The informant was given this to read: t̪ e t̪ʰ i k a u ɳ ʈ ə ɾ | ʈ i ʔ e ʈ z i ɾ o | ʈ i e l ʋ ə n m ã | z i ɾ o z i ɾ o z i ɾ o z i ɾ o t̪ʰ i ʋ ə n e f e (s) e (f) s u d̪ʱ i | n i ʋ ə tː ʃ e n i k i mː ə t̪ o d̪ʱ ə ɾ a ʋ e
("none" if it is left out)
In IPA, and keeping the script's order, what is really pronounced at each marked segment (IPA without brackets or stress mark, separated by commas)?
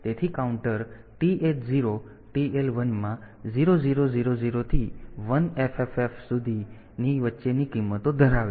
f, f